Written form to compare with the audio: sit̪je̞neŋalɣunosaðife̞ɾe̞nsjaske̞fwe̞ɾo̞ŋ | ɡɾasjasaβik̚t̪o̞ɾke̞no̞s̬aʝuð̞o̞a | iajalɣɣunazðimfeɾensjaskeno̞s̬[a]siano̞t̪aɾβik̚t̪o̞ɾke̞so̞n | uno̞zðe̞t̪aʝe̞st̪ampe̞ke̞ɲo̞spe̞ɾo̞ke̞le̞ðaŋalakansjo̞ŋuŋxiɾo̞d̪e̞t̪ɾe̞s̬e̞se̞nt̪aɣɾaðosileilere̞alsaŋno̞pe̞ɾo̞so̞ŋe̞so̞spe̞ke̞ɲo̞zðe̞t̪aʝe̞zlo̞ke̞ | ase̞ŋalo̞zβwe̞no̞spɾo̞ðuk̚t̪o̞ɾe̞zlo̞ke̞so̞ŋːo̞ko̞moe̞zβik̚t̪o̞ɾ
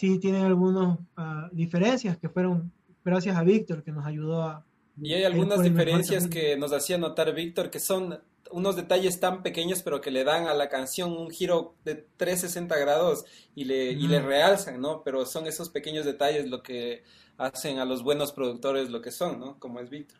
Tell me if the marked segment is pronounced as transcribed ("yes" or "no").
yes